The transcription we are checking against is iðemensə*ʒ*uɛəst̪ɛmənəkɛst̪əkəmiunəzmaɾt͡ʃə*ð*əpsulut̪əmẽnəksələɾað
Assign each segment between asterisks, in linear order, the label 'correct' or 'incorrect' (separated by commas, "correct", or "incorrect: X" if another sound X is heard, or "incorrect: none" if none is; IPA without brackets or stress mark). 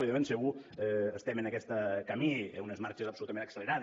incorrect: ɣ, incorrect: z